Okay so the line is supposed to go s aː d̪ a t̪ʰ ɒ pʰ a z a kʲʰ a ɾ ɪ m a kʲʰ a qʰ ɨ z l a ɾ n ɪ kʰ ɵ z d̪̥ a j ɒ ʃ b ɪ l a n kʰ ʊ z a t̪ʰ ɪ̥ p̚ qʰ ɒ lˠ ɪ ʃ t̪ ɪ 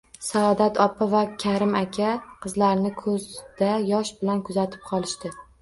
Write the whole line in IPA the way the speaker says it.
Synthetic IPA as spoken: s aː d̪ a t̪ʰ ɒ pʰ a v a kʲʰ a ɾ ɪ m a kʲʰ a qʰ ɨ z l a ɾ n ɪ kʰ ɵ z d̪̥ a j ɒ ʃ b ɪ l a n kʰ ʊ z a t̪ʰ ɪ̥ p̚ qʰ ɒ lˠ ɪ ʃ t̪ ɪ